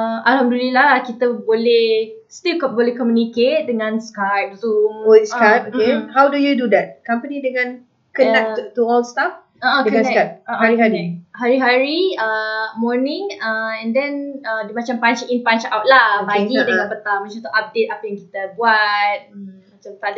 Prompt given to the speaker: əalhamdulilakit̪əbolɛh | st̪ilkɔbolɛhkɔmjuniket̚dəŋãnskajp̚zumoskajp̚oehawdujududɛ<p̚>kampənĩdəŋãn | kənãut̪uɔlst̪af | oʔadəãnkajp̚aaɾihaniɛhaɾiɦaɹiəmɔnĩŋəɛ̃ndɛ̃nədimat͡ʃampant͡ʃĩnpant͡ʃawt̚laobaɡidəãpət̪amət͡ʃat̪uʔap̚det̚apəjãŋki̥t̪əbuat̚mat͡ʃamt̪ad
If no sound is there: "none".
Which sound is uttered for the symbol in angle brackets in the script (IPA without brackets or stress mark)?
t̚